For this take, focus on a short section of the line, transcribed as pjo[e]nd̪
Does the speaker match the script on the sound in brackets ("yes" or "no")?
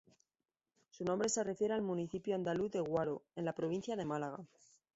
no